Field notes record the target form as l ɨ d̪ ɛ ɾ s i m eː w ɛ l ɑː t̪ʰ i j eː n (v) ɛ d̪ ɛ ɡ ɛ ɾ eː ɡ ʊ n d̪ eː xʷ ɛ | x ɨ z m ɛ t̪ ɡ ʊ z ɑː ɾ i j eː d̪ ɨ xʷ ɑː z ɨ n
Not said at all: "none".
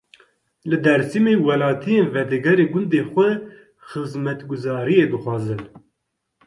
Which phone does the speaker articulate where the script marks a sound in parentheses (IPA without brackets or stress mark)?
v